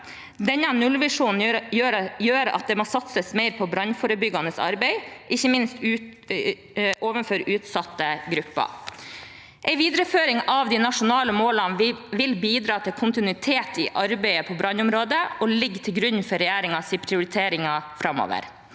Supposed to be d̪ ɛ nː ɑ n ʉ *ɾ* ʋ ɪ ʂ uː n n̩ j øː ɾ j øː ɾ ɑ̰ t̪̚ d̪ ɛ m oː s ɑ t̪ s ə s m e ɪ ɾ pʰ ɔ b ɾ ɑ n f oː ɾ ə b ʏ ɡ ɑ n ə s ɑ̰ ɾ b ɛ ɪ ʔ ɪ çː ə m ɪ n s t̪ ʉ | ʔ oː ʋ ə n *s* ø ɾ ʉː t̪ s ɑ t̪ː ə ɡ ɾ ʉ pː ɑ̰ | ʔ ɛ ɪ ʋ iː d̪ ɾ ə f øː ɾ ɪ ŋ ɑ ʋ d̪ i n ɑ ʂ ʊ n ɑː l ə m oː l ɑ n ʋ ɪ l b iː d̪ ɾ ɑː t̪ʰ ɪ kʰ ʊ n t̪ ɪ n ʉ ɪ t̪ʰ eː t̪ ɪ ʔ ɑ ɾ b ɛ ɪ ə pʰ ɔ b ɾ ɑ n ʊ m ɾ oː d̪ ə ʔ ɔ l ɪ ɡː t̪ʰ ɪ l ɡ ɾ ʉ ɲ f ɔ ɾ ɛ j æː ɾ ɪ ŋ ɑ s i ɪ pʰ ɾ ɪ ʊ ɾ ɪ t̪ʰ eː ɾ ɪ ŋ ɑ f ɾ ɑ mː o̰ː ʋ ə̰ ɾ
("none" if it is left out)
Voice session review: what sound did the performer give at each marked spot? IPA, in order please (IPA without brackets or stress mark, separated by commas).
l, f